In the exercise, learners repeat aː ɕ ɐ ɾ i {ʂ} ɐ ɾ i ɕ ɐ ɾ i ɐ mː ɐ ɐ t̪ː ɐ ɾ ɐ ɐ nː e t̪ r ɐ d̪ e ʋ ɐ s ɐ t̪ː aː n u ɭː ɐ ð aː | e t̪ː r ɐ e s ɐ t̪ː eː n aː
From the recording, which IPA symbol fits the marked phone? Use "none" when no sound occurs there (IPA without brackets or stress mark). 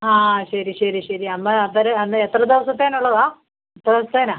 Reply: ɕ